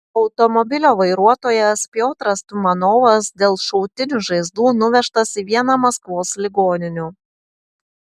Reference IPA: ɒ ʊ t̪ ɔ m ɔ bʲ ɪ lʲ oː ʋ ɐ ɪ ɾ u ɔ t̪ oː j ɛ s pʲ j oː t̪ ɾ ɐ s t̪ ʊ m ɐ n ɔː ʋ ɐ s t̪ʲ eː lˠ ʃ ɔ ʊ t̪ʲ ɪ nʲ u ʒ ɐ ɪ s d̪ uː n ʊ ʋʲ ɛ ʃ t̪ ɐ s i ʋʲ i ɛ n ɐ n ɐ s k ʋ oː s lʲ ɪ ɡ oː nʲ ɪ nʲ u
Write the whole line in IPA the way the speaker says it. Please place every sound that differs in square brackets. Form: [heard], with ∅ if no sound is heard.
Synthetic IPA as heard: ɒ ʊ t̪ ɔ m ɔ bʲ ɪ lʲ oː ʋ ɐ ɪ ɾ u ɔ t̪ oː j ɛ s pʲ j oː t̪ ɾ ɐ s t̪ ʊ m ɐ n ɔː ʋ ɐ s [d̪ʲ] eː lˠ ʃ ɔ ʊ t̪ʲ ɪ nʲ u ʒ ɐ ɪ [z] d̪ uː n ʊ ʋʲ ɛ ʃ t̪ ɐ s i ʋʲ i ɛ n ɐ [m] ɐ s k ʋ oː s lʲ ɪ ɡ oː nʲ ɪ nʲ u